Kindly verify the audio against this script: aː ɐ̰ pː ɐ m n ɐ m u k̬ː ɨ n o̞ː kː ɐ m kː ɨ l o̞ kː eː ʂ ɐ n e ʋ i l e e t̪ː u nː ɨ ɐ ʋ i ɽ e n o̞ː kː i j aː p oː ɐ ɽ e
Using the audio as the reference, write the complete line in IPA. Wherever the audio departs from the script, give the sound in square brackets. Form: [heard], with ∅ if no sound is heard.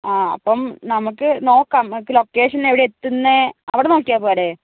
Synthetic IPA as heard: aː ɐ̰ pː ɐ m n ɐ m u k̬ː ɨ n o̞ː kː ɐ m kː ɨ l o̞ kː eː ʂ ɐ n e ʋ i [ɽ] e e t̪ː u nː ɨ ɐ ʋ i ɽ e n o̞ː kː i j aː p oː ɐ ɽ e